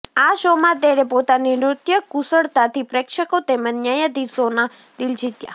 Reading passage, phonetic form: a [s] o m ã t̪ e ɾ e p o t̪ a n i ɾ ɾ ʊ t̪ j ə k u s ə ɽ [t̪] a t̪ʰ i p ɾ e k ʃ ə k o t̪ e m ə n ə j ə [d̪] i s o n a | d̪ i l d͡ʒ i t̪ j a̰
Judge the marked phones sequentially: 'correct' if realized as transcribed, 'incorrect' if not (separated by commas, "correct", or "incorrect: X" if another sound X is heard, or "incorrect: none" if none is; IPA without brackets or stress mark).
incorrect: ʃ, correct, correct